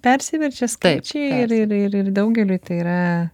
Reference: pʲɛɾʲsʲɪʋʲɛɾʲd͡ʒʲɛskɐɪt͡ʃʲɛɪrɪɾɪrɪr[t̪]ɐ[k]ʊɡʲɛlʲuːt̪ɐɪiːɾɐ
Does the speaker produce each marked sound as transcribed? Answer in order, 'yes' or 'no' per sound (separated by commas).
no, no